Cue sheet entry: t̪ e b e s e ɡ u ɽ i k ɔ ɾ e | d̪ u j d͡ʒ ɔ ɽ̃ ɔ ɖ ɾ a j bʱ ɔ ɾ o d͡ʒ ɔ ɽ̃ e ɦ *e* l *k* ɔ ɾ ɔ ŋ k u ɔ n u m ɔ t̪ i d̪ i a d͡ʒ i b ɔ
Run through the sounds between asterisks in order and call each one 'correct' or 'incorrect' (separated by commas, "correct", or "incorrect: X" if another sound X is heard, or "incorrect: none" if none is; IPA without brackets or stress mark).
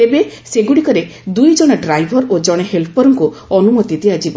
correct, incorrect: p